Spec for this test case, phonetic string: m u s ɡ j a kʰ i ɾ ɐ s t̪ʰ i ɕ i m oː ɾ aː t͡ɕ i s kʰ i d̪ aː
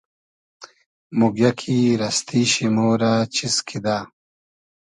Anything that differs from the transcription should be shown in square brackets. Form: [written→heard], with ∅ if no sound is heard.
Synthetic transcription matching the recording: m u [s→∅] ɡ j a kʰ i ɾ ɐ s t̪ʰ i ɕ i m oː ɾ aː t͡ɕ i s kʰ i d̪ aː